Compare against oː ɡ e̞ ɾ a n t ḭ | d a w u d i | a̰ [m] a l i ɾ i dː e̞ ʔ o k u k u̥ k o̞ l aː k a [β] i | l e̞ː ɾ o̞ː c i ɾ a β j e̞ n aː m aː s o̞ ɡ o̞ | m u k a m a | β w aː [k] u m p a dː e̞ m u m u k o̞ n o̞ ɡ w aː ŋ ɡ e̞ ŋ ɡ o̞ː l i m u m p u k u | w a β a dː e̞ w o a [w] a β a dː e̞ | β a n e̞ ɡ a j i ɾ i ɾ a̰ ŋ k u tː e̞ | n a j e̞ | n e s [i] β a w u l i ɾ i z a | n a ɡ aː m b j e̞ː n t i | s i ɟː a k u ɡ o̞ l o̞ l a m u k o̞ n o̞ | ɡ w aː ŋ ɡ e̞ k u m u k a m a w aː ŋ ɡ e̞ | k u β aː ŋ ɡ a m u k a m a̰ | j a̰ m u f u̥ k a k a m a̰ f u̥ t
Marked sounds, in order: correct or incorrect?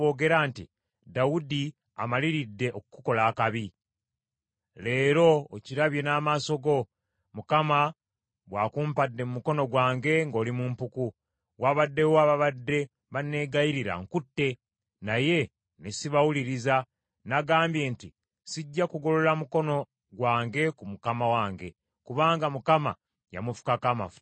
correct, correct, correct, incorrect: β, correct

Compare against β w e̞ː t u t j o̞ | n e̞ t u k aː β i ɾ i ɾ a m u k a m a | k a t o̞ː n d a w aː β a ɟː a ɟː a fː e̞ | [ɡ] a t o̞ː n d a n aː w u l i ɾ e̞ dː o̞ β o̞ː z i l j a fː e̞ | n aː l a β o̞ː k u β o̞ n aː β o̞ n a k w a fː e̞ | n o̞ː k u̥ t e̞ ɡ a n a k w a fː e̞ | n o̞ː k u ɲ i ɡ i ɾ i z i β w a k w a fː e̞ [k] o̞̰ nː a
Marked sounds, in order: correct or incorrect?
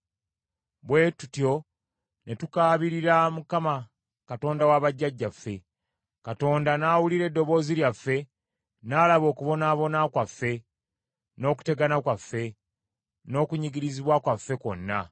incorrect: k, correct

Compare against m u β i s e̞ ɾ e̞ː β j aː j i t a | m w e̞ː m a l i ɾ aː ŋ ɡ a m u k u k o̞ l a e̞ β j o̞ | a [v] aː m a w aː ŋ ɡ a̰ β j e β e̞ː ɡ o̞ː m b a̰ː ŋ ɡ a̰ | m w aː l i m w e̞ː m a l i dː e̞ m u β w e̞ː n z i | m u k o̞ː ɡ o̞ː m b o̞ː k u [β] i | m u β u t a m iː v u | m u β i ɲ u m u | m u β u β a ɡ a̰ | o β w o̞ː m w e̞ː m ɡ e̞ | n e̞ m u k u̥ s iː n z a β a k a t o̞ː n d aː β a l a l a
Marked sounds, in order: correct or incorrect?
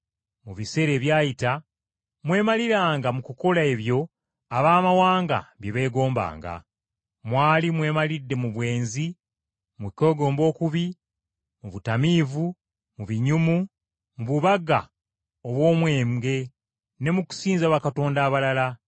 incorrect: β, correct

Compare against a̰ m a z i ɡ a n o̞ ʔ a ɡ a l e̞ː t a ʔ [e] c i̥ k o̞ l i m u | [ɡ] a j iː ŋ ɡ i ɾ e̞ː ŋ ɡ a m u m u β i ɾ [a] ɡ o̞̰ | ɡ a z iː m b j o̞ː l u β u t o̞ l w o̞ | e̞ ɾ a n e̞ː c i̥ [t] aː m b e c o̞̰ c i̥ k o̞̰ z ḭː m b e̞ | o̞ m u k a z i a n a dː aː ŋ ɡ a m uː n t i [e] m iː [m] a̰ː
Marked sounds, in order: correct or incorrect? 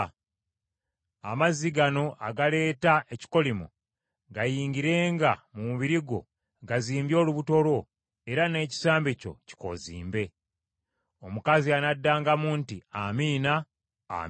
correct, correct, incorrect: i, incorrect: s, incorrect: a, incorrect: n

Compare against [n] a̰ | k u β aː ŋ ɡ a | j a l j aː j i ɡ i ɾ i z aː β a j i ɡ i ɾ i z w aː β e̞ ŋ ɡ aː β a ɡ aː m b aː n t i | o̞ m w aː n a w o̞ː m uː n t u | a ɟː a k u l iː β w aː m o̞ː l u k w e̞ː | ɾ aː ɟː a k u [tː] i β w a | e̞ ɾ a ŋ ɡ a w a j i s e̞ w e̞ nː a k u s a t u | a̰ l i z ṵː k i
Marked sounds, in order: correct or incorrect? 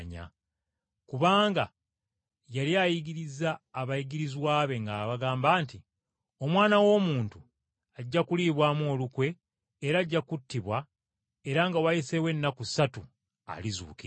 incorrect: ɲ, correct

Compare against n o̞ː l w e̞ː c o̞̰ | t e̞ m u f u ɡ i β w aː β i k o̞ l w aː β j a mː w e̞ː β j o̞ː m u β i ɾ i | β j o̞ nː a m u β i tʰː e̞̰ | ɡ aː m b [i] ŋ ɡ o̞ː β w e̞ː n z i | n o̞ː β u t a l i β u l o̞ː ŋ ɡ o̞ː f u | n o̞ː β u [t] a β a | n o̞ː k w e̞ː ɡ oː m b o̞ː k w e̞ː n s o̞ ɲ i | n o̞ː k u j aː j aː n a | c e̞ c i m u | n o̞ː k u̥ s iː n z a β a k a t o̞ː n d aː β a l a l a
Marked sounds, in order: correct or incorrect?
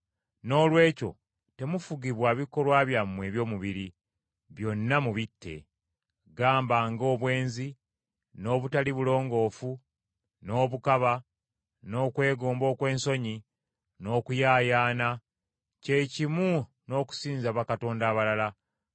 incorrect: a, incorrect: k

